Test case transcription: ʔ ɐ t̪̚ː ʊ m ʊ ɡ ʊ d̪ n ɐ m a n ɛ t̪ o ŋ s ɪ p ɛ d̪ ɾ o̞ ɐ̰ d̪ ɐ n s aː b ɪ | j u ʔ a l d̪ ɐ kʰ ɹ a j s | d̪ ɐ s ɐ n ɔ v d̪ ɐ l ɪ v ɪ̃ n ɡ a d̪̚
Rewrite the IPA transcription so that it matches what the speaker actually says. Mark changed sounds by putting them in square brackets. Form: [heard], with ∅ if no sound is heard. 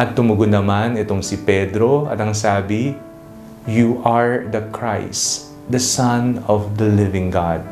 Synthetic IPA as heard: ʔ ɐ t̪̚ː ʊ m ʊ ɡ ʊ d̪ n ɐ m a n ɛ t̪ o ŋ s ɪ p ɛ d̪ ɾ o̞ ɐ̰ [t̪] ɐ [ŋ] s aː b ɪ | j u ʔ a [ɹ] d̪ ɐ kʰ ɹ a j s | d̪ ɐ s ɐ n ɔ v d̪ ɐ l ɪ v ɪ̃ [ŋ] ɡ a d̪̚